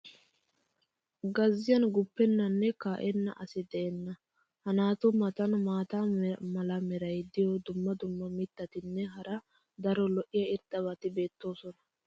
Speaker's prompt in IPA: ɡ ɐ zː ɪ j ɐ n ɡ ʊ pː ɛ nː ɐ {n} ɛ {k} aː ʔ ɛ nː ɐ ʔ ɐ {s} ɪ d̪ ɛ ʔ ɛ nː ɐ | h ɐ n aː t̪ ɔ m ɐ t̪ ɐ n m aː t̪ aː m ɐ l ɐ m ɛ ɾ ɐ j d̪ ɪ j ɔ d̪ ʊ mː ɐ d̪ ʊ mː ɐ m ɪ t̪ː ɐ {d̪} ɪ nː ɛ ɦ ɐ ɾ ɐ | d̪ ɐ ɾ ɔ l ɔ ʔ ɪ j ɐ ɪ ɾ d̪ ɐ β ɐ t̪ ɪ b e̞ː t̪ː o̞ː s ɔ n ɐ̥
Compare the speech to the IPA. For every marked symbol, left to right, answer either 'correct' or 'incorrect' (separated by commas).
incorrect, correct, correct, incorrect